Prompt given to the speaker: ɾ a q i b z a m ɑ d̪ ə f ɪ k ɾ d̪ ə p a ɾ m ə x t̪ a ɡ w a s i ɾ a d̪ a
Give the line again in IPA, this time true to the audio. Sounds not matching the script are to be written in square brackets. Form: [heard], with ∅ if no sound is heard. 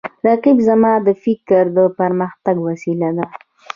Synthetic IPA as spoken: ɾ a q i b z a m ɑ d̪ ə f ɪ k ɾ d̪ ə p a ɾ m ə x t̪ a ɡ w a s i [l] a d̪ a